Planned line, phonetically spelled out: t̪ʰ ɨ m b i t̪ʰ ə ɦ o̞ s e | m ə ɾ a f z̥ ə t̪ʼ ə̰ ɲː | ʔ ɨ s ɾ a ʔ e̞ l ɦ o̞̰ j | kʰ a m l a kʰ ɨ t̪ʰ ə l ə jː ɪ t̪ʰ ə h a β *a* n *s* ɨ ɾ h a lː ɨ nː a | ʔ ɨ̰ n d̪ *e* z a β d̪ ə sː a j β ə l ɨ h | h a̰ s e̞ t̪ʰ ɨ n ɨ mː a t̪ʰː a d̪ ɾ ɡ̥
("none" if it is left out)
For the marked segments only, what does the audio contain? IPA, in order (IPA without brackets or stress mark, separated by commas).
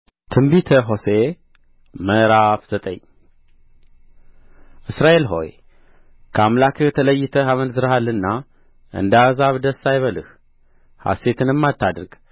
ə, z, a